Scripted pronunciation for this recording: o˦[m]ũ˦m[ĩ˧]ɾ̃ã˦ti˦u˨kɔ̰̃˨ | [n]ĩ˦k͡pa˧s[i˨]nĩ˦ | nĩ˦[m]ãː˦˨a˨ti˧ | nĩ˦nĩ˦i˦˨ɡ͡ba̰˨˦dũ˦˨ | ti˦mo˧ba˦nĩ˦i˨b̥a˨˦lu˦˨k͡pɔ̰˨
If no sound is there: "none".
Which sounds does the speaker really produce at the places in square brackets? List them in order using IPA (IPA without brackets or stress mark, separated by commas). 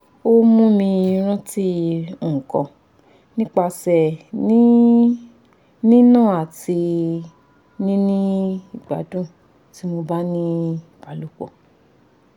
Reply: m, ĩ˧, n, ɛ˨, n